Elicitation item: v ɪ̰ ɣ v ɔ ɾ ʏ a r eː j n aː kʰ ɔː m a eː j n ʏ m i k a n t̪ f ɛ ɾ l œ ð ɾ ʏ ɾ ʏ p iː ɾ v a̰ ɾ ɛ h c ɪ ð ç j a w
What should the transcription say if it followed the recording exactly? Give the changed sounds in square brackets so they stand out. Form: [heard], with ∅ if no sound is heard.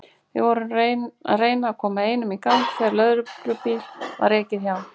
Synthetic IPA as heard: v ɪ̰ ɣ v ɔ ɾ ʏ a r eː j n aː kʰ ɔː m a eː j n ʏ m i k a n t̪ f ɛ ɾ l œ ð ɾ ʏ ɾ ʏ p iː [l] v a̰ ɾ ɛ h c ɪ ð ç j a w